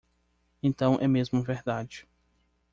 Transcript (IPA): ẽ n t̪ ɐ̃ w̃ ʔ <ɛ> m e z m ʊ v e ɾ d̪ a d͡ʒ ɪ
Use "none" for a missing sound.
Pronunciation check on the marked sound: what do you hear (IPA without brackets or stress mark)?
ɛ